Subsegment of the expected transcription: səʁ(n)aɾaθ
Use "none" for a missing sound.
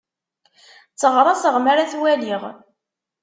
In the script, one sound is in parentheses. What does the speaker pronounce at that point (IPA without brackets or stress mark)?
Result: m